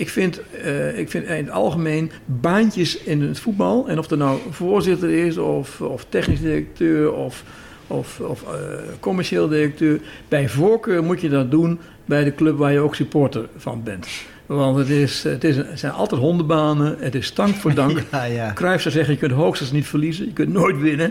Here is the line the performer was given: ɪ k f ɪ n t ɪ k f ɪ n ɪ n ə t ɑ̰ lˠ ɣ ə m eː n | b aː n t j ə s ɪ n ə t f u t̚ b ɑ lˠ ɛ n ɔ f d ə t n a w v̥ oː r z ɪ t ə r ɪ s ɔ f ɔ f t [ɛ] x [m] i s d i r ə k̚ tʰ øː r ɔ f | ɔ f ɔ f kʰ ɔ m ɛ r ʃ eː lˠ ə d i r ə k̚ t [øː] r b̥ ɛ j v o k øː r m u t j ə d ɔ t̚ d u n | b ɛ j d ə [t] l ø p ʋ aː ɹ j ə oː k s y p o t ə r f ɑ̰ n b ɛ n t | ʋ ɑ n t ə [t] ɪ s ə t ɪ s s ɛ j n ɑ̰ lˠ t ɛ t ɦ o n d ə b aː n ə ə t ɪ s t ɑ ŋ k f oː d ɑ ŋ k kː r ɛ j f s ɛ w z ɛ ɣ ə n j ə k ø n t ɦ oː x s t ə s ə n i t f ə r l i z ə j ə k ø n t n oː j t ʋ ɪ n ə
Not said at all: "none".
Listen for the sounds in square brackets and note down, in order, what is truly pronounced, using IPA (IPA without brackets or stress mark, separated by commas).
ɛ, n, øː, k, t